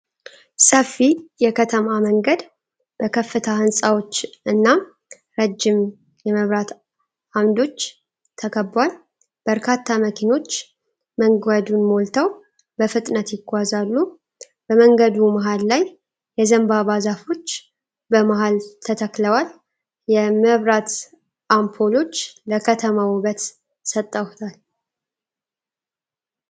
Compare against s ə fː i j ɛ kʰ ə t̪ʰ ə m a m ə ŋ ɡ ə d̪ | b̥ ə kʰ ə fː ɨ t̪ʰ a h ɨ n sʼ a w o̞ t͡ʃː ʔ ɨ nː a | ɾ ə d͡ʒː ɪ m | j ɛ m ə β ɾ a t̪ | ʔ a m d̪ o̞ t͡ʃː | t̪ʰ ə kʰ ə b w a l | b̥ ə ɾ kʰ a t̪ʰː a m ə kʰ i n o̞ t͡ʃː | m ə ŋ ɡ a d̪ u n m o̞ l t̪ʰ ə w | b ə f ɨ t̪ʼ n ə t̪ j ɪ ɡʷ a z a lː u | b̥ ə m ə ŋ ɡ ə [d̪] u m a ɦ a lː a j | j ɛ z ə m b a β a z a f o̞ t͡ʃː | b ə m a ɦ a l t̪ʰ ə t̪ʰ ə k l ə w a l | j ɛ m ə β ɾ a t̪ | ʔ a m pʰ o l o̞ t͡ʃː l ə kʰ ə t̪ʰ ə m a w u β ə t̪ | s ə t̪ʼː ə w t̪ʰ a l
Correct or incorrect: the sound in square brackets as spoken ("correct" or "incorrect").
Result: correct